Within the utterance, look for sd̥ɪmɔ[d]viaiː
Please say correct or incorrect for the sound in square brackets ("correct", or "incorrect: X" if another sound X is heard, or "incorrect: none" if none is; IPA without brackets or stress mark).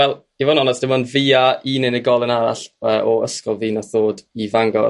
incorrect: n